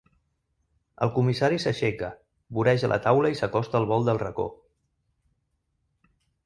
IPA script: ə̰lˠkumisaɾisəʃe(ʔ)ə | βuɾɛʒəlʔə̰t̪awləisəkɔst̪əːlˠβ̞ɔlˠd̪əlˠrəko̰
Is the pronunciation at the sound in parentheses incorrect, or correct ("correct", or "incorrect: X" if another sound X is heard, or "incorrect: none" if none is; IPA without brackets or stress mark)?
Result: incorrect: k